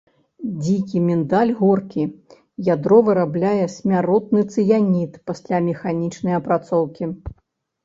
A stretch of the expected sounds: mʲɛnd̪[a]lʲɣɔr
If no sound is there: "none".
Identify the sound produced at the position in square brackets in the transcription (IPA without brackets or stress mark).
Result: a